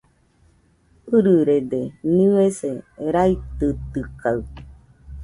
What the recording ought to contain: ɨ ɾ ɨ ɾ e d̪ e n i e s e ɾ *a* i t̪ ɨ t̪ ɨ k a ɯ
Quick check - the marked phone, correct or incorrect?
correct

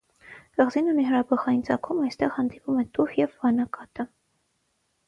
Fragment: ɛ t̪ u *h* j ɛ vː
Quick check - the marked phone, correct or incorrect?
correct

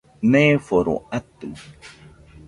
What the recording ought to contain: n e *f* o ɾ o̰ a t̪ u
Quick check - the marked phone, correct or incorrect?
correct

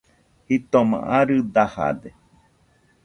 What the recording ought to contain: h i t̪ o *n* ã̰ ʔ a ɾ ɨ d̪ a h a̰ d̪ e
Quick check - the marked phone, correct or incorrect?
incorrect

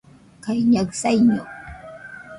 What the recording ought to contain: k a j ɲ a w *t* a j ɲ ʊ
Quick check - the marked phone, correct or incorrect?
incorrect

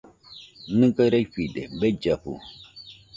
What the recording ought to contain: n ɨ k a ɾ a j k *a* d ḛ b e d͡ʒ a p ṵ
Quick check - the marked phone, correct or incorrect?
incorrect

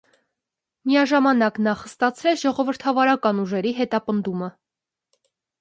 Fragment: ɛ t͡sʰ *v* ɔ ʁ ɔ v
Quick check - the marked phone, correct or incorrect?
incorrect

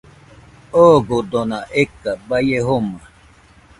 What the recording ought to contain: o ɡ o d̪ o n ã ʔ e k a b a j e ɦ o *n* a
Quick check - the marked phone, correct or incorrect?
incorrect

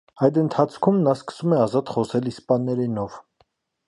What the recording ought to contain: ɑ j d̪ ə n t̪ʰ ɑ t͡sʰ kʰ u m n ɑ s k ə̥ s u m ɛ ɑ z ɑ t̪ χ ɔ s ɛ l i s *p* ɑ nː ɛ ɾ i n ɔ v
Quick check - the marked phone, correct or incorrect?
correct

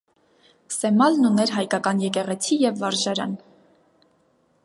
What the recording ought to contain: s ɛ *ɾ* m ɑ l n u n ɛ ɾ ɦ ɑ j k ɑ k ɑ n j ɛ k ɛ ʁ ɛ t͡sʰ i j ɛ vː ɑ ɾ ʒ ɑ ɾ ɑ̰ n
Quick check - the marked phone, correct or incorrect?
incorrect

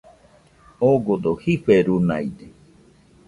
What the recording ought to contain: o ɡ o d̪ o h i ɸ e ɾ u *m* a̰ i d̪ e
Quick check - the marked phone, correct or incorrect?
incorrect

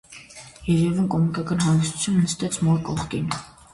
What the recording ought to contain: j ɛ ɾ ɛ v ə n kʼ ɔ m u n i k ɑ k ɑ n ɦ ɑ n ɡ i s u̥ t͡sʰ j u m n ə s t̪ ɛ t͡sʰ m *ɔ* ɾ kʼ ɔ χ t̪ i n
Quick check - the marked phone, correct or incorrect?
correct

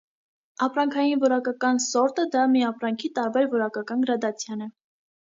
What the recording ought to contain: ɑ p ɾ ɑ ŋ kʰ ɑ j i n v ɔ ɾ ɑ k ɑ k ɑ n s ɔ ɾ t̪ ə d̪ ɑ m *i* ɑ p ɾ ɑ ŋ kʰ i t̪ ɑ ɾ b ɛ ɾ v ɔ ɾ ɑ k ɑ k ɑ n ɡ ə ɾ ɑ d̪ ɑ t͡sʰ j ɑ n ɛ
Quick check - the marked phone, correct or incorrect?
correct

